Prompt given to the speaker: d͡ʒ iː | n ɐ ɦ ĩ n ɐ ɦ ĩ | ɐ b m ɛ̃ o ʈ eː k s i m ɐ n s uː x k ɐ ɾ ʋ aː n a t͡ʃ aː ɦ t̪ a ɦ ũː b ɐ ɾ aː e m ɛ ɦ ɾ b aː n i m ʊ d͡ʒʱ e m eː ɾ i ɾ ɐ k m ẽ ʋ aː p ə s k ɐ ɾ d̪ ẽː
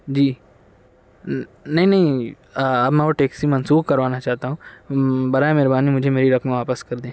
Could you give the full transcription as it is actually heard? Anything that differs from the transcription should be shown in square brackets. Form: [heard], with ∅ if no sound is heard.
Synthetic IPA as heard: d͡ʒ iː | n ɐ ɦ ĩ n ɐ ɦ ĩ | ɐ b m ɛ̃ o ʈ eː k s i m ɐ n s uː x k ɐ ɾ ʋ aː n a t͡ʃ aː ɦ t̪ a ɦ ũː b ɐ ɾ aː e m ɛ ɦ ɾ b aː n i m ʊ d͡ʒʱ e m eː ɾ i ɾ ɐ k m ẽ ʋ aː p ə s k ɐ ɾ d̪ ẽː

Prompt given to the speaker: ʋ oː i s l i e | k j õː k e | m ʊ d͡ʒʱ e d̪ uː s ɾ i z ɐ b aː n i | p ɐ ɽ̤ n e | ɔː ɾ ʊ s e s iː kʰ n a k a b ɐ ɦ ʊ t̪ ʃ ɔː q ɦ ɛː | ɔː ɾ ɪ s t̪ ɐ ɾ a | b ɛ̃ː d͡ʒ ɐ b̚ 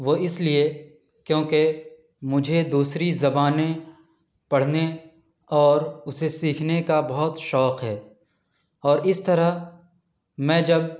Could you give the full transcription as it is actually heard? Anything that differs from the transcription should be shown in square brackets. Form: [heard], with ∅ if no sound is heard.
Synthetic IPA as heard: ʋ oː [ɪ] s l i e | k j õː k e | m ʊ d͡ʒʱ e d̪ uː s ɾ i z ɐ b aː n [e] | p ɐ ɽ̤ n e | ɔː ɾ ʊ s e s iː kʰ n [e] k a b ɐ ɦ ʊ t̪ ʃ ɔː q ɦ ɛː | ɔː ɾ ɪ s t̪ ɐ ɾ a | [m] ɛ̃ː d͡ʒ ɐ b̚

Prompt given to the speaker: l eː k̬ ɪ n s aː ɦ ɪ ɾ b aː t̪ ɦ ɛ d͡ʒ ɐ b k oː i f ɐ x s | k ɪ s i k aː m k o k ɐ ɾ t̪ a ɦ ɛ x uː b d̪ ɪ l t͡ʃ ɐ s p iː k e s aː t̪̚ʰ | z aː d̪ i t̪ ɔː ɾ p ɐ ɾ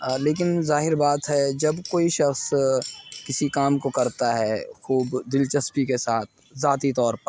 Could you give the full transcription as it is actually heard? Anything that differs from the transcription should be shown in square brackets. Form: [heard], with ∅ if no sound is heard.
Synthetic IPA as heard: l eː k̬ ɪ n [z] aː ɦ ɪ ɾ b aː t̪ ɦ ɛ d͡ʒ ɐ b k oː i [ʃ] ɐ x s | k ɪ s i k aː m k o k ɐ ɾ t̪ a ɦ ɛ x uː b d̪ ɪ l t͡ʃ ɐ s p [i] k e s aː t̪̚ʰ | z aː [t̪] i t̪ ɔː ɾ p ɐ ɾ

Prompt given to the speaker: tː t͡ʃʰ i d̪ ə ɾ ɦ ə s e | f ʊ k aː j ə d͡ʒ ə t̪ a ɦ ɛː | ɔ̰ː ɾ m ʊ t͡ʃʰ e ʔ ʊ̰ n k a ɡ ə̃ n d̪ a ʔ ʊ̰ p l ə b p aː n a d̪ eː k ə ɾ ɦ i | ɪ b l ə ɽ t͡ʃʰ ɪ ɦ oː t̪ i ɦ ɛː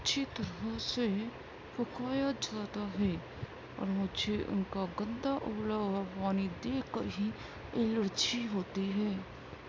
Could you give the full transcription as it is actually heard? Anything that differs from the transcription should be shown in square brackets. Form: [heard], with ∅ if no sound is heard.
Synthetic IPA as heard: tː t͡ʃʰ i [t̪] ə ɾ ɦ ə s e | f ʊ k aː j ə d͡ʒ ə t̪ a ɦ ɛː | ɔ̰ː ɾ m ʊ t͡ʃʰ e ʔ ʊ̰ n k a ɡ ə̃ n d̪ a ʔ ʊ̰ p l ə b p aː n [i] d̪ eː k ə ɾ ɦ i | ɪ [∅] l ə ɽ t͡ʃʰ [i] ɦ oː t̪ i ɦ ɛː

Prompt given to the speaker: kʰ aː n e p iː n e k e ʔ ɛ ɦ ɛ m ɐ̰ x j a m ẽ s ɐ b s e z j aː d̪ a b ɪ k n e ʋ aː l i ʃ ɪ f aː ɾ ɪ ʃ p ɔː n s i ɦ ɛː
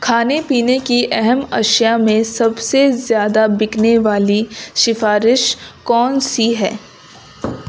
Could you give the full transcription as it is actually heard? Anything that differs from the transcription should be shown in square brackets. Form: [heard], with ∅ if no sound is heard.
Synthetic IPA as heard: kʰ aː n e p iː n e k [i] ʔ ɛ ɦ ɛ m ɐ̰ [ʃ] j a m ẽ s ɐ b s e z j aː d̪ a b ɪ k n e ʋ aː l i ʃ ɪ f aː ɾ ɪ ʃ [k] ɔː n s i ɦ ɛː

